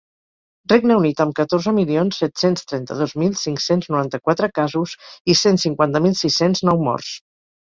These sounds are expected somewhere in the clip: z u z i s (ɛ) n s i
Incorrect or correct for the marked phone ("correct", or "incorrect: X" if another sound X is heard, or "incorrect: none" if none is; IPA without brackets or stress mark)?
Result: incorrect: e